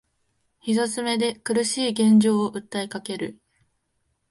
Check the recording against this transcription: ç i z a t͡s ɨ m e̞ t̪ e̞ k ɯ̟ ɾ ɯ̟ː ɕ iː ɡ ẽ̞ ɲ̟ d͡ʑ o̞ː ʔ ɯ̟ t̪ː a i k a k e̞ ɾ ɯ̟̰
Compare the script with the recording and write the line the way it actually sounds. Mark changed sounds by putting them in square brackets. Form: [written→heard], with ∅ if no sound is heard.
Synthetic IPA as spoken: ç i z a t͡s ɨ m e̞ [t̪→d̪] e̞ k ɯ̟ ɾ [ɯ̟ː→ɯ̟] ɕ iː ɡ ẽ̞ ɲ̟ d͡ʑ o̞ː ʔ ɯ̟ t̪ː a i k a k e̞ ɾ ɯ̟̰